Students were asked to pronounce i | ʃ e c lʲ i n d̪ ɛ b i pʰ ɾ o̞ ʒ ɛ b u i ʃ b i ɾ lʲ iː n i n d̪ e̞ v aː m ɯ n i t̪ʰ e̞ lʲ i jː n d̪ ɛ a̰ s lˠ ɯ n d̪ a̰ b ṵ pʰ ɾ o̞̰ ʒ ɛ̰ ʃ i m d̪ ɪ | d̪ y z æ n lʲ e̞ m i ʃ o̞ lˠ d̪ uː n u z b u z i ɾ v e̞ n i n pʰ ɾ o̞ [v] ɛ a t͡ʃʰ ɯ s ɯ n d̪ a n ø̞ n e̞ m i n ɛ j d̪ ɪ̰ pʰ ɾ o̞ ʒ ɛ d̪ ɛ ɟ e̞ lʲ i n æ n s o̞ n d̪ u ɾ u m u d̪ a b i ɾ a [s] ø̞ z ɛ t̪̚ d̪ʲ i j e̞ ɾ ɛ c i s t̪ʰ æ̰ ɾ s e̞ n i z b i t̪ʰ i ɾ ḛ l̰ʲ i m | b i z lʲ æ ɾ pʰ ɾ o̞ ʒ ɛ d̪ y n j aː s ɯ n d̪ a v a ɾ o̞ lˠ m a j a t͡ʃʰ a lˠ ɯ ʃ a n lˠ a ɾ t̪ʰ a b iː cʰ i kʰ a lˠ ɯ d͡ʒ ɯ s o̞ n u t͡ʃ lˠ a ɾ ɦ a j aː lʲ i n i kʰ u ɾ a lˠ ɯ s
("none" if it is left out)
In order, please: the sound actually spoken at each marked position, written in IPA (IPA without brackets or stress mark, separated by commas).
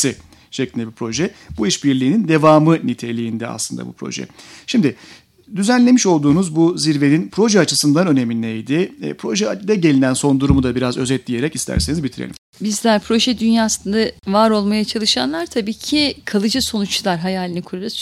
ʒ, z